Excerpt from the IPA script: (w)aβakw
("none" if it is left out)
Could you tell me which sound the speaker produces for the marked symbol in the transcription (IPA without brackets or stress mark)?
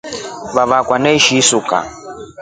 β